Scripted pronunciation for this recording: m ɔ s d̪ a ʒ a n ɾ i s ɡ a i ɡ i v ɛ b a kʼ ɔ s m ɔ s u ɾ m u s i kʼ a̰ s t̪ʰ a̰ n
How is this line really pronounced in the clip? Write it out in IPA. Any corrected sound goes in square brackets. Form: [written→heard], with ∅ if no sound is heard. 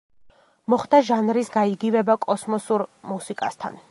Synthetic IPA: m ɔ [s→χ] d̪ a ʒ a n ɾ i s ɡ a i ɡ i v ɛ b a kʼ ɔ s m ɔ s u ɾ m u s i kʼ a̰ s t̪ʰ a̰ n